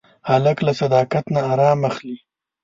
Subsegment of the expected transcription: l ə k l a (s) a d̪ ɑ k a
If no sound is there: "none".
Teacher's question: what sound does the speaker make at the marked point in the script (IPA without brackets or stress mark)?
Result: s